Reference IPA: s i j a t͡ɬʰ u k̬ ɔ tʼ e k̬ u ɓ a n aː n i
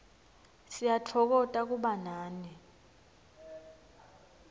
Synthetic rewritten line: s i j a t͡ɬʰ ɔ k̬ ɔ tʼ a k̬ u ɓ a n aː n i